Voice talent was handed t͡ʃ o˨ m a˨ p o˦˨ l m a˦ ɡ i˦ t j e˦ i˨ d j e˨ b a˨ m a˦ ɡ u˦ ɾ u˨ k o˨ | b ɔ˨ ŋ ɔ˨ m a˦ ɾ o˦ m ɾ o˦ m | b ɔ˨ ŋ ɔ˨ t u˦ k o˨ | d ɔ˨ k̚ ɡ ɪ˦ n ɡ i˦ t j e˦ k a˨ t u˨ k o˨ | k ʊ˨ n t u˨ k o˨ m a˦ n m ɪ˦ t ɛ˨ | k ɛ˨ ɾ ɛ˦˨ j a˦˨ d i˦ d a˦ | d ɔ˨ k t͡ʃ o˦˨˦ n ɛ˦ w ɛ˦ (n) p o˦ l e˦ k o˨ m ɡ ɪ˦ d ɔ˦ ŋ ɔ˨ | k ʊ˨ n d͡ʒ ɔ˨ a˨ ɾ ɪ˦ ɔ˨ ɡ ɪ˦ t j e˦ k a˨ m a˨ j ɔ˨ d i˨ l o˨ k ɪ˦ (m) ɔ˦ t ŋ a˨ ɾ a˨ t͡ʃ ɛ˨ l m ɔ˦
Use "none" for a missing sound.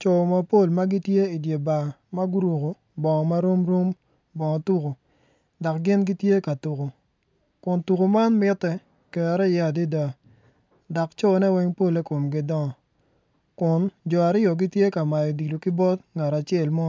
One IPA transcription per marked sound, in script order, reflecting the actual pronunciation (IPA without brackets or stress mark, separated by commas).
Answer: ŋ, b